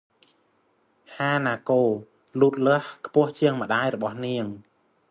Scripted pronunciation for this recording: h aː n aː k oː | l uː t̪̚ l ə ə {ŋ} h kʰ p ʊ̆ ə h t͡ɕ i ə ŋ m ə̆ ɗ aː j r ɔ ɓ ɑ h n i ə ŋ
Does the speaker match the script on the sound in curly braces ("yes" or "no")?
no